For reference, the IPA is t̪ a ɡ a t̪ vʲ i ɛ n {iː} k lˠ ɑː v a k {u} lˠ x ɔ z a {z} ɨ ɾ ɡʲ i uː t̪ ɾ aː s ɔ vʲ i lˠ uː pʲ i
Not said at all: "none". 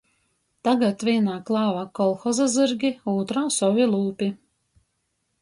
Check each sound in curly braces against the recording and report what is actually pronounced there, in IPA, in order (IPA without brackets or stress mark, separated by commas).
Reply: aː, ɔ, z